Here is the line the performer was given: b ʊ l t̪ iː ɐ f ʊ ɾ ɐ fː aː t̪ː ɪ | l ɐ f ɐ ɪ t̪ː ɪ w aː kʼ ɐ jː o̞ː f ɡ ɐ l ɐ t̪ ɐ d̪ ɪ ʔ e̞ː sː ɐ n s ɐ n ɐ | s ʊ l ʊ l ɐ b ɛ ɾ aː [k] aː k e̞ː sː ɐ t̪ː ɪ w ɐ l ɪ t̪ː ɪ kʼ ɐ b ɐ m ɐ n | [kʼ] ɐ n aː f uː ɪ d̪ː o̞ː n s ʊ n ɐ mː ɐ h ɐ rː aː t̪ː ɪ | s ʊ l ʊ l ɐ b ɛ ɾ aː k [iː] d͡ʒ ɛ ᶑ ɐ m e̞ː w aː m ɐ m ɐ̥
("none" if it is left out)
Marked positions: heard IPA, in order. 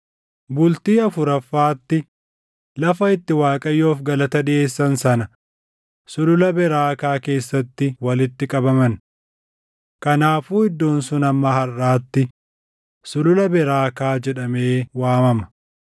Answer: k, k, aː

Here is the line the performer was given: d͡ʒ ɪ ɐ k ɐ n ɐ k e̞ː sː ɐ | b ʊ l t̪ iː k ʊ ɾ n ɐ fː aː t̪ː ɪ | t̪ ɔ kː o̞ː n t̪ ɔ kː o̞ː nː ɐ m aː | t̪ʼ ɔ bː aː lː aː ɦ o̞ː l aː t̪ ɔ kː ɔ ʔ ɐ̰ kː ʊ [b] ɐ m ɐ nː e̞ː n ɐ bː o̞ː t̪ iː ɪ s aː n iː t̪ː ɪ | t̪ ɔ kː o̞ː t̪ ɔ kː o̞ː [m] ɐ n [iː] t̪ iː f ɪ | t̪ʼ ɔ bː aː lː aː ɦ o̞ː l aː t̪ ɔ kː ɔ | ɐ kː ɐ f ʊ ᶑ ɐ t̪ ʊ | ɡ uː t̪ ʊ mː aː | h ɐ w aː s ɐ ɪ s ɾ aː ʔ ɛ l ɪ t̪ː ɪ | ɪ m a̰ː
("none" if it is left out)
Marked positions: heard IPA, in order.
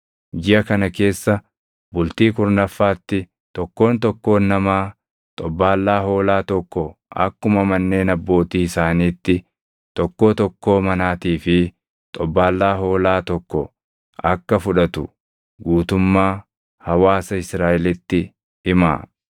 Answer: m, m, aː

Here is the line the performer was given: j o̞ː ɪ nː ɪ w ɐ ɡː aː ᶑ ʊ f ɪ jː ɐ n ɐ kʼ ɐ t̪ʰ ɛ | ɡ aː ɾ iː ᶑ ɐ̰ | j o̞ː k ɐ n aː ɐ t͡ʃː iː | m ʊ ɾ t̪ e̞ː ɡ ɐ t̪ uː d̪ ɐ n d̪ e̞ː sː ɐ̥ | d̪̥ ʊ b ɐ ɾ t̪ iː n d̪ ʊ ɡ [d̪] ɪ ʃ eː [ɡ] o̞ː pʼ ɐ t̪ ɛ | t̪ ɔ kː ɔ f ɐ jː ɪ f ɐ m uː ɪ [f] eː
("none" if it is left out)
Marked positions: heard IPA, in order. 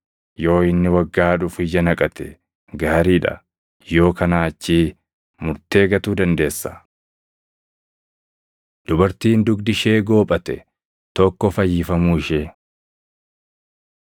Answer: d̪, ɡ, ʃ

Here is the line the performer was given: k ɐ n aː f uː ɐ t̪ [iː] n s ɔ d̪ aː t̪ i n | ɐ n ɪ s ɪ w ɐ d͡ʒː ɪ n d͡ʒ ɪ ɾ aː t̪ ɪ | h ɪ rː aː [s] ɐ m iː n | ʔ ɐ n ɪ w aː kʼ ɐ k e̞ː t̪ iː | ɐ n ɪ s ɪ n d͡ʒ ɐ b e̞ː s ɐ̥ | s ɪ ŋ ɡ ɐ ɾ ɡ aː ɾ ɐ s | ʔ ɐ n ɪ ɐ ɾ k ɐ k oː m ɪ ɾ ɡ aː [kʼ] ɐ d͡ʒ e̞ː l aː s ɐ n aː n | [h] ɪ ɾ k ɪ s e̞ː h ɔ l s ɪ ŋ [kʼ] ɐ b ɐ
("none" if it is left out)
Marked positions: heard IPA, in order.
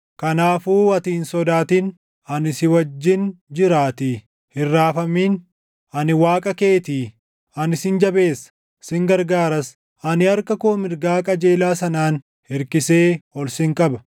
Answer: iː, f, kʼ, h, kʼ

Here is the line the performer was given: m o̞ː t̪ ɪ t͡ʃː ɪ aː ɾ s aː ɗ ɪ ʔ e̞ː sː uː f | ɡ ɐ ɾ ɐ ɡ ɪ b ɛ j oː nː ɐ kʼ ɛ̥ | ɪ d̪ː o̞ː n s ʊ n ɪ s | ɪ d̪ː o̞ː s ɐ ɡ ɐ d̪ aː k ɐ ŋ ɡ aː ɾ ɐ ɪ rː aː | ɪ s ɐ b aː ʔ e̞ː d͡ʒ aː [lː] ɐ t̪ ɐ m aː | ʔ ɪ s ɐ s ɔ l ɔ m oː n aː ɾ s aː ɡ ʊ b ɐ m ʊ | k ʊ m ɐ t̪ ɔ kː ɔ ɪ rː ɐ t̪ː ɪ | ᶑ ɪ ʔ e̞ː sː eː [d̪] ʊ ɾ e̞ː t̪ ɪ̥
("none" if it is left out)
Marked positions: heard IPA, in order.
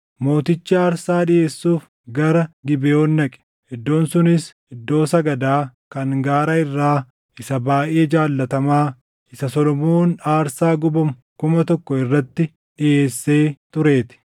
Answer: lː, t̪

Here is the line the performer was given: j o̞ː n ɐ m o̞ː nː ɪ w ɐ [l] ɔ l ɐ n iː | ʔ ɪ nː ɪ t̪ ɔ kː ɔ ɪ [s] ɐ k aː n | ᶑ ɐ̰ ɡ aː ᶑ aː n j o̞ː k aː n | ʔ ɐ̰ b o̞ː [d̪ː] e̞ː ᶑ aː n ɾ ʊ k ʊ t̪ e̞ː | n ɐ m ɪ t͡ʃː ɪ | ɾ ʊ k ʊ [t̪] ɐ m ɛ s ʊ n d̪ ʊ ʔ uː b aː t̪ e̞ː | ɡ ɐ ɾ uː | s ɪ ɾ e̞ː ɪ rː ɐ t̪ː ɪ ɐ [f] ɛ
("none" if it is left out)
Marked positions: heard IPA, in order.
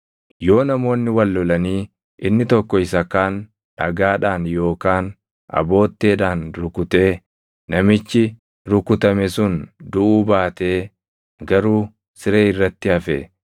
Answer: lː, s, t̪ː, t̪, f

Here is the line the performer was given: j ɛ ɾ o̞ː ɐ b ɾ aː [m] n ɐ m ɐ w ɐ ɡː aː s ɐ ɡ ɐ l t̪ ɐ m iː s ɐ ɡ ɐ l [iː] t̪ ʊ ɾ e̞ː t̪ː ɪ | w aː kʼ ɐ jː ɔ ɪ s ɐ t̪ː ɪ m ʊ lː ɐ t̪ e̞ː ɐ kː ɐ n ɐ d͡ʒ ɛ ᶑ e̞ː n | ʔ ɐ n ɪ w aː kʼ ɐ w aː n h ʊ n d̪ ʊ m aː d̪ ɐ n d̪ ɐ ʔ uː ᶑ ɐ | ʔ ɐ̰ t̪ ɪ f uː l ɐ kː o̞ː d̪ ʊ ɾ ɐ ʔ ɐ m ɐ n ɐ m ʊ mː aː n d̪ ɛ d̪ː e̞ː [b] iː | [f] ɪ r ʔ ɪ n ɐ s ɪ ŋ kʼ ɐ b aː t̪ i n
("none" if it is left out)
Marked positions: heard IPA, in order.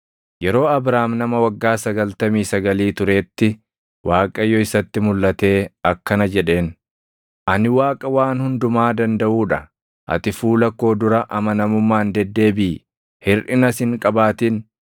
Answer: m, iː, b, h

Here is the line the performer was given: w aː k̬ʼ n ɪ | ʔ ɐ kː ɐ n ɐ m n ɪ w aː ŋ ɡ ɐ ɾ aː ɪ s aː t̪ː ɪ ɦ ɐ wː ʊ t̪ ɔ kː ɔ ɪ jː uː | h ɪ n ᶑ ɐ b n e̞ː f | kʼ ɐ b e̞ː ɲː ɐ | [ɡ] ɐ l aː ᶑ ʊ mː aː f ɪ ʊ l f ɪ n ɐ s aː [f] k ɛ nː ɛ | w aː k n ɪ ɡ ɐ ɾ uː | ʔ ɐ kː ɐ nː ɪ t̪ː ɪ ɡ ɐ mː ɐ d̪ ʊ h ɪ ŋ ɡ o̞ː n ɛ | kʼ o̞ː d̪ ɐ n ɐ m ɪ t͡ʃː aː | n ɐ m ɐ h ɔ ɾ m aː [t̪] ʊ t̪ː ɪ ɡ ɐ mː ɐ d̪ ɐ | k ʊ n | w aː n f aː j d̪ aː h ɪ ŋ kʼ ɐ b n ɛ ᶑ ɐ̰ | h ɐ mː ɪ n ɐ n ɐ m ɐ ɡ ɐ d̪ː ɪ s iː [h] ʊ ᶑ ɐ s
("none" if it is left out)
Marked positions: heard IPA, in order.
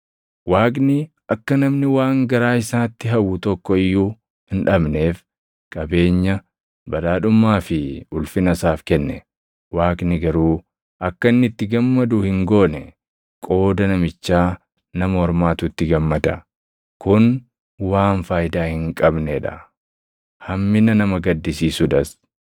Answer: b, f, t̪, s

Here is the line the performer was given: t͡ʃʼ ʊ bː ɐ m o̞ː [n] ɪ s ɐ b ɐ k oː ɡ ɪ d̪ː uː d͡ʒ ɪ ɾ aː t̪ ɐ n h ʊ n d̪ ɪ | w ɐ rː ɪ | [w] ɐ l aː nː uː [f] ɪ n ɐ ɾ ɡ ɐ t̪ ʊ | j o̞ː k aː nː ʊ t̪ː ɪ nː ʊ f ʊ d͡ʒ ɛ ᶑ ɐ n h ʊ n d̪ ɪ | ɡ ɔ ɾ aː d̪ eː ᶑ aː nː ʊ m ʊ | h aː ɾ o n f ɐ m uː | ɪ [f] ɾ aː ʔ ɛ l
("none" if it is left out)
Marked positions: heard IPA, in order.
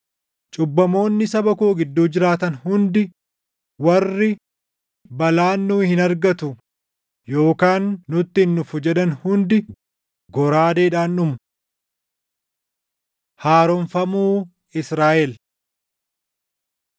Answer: nː, b, h, s

